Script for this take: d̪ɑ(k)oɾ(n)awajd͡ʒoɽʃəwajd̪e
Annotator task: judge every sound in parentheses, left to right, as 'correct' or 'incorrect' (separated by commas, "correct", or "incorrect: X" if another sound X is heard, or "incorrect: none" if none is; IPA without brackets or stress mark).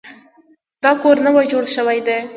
correct, correct